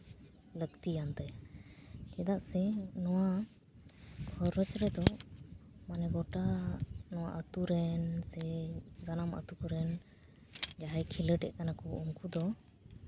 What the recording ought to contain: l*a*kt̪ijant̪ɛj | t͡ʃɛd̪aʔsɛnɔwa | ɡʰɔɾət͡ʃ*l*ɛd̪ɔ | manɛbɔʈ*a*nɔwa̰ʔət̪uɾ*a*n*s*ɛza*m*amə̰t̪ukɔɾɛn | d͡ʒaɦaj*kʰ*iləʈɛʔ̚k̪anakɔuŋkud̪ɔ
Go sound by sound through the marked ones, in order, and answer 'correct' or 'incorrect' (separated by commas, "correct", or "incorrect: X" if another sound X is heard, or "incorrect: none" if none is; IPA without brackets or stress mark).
incorrect: ə, incorrect: ɾ, correct, incorrect: ɛ, correct, incorrect: n, correct